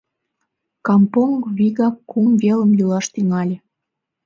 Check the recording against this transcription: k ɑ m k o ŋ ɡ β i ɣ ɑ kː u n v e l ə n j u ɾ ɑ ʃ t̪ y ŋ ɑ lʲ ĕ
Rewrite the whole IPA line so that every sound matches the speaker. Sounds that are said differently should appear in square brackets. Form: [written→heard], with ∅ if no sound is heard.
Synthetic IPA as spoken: k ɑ m [k→p] o ŋ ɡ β i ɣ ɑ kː u [n→m] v e l ə [n→m] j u [ɾ→l] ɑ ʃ t̪ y ŋ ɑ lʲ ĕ